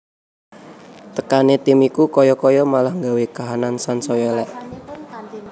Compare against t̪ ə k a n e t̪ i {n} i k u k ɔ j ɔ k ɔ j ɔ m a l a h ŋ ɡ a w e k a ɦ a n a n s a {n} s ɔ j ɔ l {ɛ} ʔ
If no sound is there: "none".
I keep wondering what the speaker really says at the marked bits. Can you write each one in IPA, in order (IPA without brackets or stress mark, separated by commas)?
m, n, ɛ